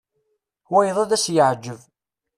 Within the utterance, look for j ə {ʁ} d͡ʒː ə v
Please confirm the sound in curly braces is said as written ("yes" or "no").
no